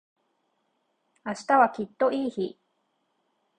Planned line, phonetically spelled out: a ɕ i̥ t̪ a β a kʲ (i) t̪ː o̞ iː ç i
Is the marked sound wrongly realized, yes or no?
no